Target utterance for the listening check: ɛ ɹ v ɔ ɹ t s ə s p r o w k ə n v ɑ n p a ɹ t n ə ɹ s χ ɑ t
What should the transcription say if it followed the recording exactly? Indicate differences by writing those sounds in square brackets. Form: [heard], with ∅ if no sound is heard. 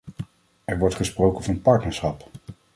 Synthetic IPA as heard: ɛ ɹ [ʋ] ɔ ɹ t [χ] ə s p r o w k ə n v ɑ n p [ɑ] ɹ t n ə ɹ s χ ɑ [p]